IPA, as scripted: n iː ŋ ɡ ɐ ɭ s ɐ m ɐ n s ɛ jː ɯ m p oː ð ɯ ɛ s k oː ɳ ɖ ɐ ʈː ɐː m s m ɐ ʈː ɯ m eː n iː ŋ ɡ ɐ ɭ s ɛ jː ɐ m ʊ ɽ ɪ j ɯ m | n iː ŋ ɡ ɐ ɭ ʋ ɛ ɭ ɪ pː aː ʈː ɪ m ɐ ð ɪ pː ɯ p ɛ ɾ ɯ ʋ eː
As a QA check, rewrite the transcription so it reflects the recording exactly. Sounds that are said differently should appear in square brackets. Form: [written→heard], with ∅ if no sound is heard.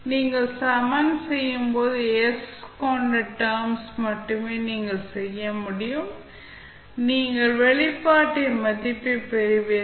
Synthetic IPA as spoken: n iː ŋ ɡ ɐ ɭ s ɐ m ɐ n s ɛ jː ɯ m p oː ð ɯ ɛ s k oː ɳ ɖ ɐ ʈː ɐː m s m ɐ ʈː ɯ m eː n iː ŋ ɡ ɐ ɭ s ɛ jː ɐ m ʊ ɽ ɪ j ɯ m | n iː ŋ ɡ ɐ ɭ ʋ ɛ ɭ ɪ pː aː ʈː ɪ m ɐ ð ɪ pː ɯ p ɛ ɾ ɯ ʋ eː

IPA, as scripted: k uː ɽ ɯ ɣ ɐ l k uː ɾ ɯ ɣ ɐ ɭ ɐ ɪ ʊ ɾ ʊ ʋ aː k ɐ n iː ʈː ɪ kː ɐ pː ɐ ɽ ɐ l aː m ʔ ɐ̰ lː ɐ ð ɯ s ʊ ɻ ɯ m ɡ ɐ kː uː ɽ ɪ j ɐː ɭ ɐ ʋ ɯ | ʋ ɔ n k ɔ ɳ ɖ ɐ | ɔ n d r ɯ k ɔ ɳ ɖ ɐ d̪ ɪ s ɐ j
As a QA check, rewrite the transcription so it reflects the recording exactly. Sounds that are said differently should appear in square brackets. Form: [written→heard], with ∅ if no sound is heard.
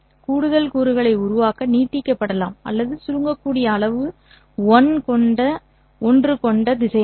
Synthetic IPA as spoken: k uː ɽ ɯ [ɣ→ð] ɐ l k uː ɾ ɯ ɣ ɐ ɭ ɐ ɪ ʊ ɾ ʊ ʋ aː k ɐ n iː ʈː ɪ kː ɐ pː ɐ ɽ ɐ l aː m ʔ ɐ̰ lː ɐ ð ɯ s ʊ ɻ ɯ [m→ŋ] ɡ ɐ kː uː ɽ ɪ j ɐː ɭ ɐ ʋ ɯ | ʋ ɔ n k ɔ ɳ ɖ ɐ | ɔ n d r ɯ k ɔ ɳ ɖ ɐ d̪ ɪ s ɐ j

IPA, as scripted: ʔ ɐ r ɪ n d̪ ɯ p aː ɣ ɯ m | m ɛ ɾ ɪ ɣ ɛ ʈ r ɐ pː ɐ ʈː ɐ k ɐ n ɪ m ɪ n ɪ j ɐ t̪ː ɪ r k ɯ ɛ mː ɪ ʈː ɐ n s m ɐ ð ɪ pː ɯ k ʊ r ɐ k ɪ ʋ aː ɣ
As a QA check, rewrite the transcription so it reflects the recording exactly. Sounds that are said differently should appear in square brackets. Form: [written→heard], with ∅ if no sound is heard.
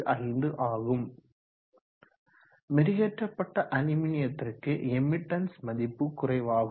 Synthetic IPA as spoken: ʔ ɐ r ɪ n d̪ ɯ [p→ʔ] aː ɣ ɯ m | m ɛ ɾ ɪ ɣ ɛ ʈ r ɐ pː ɐ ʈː ɐ [k→ʔ] ɐ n ɪ m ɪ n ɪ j ɐ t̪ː ɪ r k ɯ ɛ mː ɪ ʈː ɐ n s m ɐ ð ɪ pː ɯ k ʊ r ɐ [k→∅] ɪ ʋ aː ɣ

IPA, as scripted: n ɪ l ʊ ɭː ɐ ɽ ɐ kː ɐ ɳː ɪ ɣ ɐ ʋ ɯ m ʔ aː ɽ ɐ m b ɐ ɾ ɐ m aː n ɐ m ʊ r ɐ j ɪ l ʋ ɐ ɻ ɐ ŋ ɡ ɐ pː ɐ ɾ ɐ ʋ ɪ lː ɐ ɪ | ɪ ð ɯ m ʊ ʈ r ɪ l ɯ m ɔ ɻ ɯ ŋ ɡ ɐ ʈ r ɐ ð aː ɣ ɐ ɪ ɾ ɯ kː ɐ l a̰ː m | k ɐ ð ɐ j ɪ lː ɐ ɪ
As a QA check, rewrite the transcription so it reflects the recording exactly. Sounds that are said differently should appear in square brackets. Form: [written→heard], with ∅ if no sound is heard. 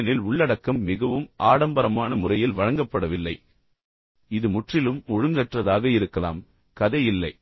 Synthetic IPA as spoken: n ɪ l ʊ ɭː ɐ ɽ ɐ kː ɐ [ɳː→mː] ɪ ɣ ɐ ʋ ɯ m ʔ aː ɽ ɐ m b ɐ ɾ ɐ m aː n ɐ m ʊ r ɐ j ɪ l ʋ ɐ ɻ ɐ ŋ ɡ ɐ pː ɐ [ɾ→ɽ] ɐ ʋ ɪ lː ɐ ɪ | ɪ ð ɯ m ʊ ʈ r ɪ l ɯ m ɔ ɻ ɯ ŋ ɡ ɐ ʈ r ɐ ð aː ɣ ɐ ɪ ɾ ɯ kː ɐ l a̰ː m | k ɐ ð ɐ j ɪ lː ɐ ɪ

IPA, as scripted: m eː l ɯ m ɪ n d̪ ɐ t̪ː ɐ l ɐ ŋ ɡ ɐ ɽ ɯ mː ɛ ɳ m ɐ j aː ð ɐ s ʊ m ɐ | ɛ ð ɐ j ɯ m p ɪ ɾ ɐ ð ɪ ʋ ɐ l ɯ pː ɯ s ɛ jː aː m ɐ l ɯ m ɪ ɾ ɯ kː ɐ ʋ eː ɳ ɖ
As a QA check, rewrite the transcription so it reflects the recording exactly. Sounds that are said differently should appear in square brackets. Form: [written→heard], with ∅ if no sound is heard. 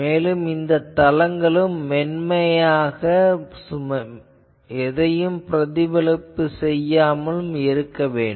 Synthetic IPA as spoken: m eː l ɯ m ɪ n d̪ ɐ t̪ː ɐ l ɐ ŋ ɡ ɐ [ɽ→ɭ] ɯ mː ɛ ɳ m ɐ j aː [ð→ɣ] ɐ s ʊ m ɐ | ɛ ð ɐ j ɯ m p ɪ ɾ ɐ ð ɪ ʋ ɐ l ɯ pː ɯ s ɛ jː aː m ɐ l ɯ m ɪ ɾ ɯ kː ɐ ʋ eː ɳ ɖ

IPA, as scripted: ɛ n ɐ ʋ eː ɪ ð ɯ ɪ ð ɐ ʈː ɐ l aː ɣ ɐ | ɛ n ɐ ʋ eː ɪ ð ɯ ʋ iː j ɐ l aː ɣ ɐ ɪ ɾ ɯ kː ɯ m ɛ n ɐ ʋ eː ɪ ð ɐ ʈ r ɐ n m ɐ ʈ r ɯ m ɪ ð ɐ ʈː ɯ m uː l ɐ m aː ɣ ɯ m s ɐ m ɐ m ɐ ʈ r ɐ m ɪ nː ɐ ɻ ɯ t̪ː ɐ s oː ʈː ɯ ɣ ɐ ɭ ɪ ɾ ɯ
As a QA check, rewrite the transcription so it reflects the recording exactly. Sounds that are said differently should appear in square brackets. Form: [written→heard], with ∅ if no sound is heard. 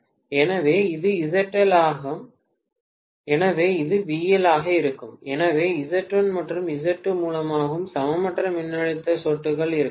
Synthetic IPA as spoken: ɛ n ɐ ʋ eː ɪ ð ɯ ɪ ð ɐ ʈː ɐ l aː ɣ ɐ | ɛ n ɐ ʋ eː ɪ ð ɯ ʋ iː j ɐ l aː ɣ ɐ ɪ ɾ ɯ kː ɯ m ɛ n ɐ ʋ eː ɪ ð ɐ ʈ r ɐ n m ɐ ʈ r ɯ m ɪ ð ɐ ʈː ɯ m uː l ɐ m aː ɣ ɯ m s ɐ m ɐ m ɐ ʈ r ɐ m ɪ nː ɐ ɻ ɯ t̪ː ɐ s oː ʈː ɯ ɣ ɐ ɭ ɪ ɾ ɯ

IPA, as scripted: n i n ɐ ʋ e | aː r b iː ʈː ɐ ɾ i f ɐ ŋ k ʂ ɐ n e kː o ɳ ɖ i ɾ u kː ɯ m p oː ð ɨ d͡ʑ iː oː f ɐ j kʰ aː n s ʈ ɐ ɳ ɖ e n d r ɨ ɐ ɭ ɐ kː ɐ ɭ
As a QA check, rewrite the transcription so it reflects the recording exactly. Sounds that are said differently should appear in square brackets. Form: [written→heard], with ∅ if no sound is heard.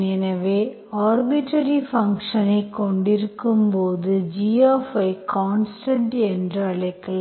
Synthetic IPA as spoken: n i n ɐ ʋ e | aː r b [iː→i] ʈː ɐ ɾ i f ɐ ŋ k ʂ ɐ n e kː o ɳ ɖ i ɾ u kː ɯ m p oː ð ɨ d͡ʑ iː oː f ɐ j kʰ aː n s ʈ ɐ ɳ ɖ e n d r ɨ ɐ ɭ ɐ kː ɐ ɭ

